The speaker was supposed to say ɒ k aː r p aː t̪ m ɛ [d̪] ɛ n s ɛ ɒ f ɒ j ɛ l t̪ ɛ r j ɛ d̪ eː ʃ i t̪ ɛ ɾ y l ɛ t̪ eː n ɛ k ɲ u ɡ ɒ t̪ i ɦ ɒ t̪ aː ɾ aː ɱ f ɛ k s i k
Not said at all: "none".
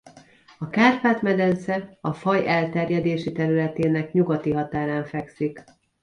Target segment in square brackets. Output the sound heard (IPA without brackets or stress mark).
d̪